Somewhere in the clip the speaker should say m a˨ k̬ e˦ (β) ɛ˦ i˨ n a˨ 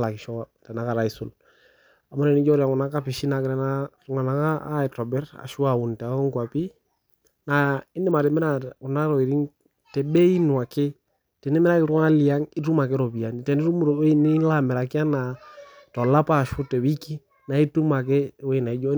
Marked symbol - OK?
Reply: no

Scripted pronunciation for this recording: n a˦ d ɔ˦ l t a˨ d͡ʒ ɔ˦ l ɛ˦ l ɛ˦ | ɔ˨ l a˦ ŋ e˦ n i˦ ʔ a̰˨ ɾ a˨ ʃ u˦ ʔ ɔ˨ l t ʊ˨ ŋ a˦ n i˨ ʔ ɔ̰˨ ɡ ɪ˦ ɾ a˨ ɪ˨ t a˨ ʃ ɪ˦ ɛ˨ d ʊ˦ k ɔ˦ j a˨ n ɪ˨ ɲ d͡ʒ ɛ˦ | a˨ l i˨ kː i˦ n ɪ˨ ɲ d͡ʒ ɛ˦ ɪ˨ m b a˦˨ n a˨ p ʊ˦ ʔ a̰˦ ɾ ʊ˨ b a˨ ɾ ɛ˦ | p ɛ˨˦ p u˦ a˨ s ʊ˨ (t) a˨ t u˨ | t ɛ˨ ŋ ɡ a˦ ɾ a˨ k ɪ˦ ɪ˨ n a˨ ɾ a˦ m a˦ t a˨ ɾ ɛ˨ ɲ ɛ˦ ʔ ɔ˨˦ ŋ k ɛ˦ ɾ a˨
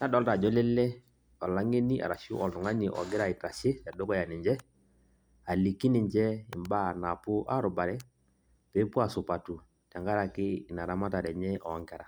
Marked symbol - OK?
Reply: no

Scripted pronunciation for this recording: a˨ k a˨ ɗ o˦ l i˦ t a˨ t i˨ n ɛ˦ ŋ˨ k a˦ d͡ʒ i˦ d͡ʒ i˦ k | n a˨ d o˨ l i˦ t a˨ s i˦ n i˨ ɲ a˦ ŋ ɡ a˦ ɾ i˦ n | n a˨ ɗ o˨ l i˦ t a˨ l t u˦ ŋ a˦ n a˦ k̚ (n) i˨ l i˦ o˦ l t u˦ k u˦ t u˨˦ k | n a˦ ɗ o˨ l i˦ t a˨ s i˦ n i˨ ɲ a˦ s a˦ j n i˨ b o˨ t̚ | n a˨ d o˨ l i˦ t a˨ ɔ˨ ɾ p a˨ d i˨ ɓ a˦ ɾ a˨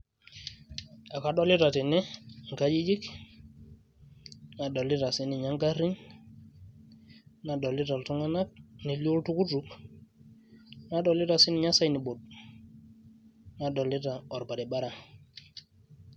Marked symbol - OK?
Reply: yes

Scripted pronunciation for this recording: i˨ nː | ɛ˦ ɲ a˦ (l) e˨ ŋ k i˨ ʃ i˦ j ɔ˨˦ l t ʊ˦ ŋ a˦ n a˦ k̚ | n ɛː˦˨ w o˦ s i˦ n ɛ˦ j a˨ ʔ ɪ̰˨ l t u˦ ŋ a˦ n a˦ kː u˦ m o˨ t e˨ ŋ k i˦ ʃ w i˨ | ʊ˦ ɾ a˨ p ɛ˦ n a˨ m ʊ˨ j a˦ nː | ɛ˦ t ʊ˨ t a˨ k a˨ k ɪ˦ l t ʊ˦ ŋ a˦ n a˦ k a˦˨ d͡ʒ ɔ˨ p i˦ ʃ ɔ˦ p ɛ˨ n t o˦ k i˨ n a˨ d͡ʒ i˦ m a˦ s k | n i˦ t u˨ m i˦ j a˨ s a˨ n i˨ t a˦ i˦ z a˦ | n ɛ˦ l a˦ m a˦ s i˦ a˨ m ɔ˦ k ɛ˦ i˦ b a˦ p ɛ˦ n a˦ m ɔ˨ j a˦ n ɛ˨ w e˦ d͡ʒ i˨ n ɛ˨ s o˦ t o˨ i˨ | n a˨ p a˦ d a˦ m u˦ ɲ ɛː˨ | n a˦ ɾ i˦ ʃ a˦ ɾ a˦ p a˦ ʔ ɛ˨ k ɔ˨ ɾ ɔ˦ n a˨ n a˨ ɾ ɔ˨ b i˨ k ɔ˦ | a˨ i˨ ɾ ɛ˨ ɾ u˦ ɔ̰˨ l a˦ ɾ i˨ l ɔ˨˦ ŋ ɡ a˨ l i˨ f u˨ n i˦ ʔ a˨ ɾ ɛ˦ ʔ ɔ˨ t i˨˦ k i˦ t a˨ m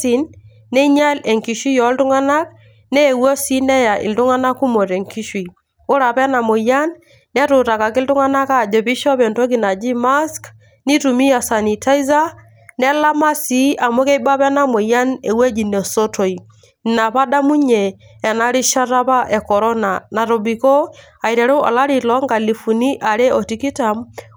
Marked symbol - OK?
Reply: yes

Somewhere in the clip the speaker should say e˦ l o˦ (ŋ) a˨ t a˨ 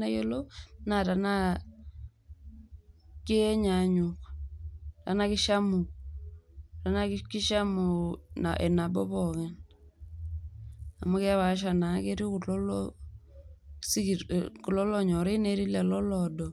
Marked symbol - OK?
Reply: no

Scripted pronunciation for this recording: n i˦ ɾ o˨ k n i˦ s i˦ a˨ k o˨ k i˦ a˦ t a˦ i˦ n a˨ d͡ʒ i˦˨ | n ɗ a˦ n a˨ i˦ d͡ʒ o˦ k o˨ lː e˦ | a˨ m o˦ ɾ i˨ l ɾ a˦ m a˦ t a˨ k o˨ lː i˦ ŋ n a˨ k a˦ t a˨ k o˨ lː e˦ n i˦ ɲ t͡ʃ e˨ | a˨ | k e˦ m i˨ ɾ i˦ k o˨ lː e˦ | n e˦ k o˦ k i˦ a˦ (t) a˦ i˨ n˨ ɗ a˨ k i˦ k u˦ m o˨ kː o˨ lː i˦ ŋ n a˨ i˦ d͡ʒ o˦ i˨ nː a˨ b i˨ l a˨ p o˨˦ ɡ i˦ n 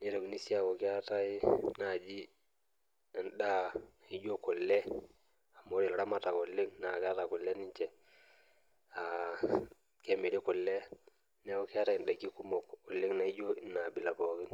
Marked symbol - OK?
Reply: yes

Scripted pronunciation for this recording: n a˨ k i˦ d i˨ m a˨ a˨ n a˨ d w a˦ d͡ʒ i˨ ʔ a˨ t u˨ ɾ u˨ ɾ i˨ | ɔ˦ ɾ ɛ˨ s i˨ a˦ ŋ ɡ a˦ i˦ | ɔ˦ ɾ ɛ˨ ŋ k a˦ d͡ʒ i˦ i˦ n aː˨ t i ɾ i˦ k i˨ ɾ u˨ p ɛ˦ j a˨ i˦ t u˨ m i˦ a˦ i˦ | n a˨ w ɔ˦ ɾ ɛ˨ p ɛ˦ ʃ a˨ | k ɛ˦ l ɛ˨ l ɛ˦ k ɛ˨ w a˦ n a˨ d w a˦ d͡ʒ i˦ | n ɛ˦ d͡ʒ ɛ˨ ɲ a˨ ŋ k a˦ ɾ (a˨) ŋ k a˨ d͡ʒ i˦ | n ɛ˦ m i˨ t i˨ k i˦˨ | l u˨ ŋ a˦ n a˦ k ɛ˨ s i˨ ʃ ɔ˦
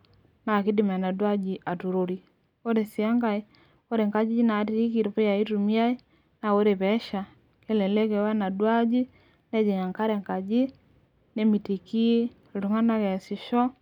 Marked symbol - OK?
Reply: no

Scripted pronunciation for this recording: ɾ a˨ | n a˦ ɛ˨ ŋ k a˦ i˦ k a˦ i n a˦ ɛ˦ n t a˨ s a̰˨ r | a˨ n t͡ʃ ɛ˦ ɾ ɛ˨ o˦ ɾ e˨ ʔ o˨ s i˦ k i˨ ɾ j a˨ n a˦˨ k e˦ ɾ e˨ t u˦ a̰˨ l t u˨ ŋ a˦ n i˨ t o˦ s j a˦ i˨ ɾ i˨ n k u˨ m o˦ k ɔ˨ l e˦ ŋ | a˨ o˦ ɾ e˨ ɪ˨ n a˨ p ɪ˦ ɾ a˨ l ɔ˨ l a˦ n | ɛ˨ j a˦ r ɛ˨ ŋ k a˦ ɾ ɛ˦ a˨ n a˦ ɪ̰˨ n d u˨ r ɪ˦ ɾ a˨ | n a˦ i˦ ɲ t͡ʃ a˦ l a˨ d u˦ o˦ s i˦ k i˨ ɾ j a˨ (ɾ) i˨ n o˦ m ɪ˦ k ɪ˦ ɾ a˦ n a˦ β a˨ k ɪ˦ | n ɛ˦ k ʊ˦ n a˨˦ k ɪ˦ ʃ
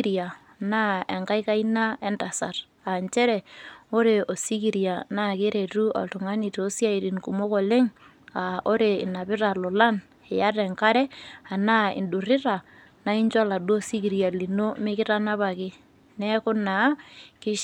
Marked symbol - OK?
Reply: no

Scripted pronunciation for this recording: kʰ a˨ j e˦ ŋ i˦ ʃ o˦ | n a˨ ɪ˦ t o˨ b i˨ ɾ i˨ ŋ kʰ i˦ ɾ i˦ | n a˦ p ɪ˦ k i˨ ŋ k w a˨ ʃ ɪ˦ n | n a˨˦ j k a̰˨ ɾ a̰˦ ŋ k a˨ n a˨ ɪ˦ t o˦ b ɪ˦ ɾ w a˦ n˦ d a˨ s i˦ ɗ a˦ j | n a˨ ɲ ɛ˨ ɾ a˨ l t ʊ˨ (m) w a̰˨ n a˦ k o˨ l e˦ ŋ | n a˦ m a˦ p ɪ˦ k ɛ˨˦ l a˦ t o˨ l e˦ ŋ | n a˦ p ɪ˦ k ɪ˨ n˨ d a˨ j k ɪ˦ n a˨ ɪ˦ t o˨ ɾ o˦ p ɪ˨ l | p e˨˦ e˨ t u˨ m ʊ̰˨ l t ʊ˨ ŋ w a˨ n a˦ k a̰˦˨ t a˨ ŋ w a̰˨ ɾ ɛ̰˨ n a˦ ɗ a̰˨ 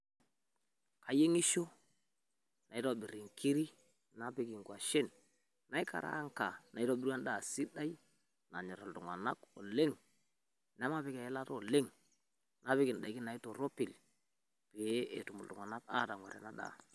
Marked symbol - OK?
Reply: no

